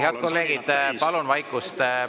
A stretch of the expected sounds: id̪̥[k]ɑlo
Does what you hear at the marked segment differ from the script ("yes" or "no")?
yes